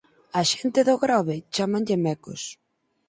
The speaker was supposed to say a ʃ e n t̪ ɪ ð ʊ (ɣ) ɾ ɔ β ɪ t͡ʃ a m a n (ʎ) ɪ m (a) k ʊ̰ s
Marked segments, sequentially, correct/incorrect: correct, correct, incorrect: ɛ

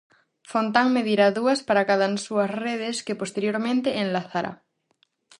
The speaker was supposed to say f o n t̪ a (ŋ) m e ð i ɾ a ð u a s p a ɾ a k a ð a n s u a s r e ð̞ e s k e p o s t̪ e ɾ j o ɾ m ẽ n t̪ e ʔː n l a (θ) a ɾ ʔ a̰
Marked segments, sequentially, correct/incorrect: correct, correct

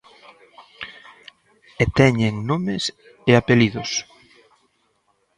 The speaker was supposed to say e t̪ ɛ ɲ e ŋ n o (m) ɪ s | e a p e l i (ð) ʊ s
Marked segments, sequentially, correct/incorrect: correct, correct

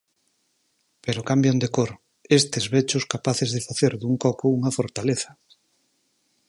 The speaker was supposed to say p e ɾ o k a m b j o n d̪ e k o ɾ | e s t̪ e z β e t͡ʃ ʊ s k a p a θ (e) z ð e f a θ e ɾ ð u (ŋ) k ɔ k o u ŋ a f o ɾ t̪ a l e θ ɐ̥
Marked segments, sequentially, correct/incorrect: correct, correct

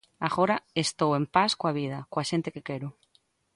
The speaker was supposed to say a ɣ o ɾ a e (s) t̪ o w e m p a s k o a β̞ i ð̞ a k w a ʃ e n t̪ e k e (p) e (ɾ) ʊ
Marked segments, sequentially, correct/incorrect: correct, incorrect: k, correct

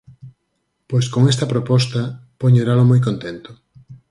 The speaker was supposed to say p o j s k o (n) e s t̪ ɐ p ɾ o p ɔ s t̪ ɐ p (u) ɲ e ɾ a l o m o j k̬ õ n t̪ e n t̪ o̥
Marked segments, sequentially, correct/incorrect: incorrect: ŋ, incorrect: o

